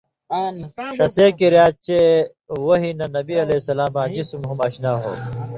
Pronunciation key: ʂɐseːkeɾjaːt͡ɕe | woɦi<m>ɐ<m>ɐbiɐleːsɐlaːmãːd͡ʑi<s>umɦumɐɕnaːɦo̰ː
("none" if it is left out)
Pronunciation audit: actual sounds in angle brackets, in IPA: n, n, s

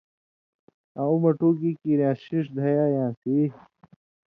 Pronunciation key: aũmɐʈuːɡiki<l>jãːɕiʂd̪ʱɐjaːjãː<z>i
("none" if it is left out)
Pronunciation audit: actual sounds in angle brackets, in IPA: ɾ, s

